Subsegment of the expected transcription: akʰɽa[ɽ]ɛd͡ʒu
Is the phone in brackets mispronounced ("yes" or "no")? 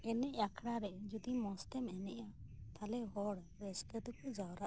yes